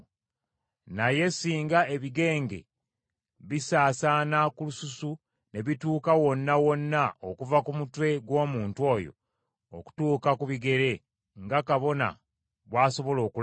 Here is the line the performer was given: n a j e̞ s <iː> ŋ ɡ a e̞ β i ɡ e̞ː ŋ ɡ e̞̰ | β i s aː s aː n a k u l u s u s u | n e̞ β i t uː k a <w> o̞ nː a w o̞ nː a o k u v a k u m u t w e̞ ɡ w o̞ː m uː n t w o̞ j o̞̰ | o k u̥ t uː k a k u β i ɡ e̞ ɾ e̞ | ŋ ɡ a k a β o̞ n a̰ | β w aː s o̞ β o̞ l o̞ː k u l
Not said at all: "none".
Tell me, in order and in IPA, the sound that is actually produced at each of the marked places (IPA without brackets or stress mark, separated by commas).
iː, w